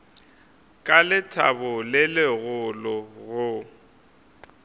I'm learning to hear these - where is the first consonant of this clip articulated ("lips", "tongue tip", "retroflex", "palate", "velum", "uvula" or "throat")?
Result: velum